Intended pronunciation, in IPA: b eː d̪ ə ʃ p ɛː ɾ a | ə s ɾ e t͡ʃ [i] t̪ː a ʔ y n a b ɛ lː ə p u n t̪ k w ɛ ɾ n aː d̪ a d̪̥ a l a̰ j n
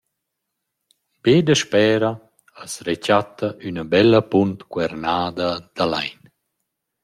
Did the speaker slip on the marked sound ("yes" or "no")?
yes